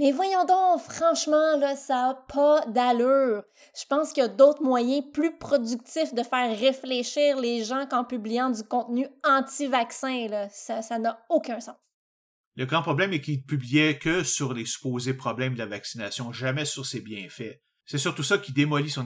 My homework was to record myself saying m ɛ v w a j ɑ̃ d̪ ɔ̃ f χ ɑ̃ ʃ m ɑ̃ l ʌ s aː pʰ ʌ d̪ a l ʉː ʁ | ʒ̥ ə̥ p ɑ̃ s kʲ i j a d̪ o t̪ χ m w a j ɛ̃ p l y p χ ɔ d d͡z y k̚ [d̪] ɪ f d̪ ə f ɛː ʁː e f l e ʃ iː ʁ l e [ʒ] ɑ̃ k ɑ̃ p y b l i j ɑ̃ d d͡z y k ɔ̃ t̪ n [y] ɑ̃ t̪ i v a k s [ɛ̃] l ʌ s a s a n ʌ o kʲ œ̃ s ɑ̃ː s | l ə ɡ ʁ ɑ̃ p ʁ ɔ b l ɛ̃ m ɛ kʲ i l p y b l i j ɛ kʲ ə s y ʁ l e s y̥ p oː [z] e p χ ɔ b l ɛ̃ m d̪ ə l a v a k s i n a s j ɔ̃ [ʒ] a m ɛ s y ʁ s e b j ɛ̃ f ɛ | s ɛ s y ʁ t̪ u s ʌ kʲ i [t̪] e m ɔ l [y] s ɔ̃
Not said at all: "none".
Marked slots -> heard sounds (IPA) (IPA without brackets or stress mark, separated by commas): t̪, ʒ, y, ɛ̃, z, ʒ, d̪, i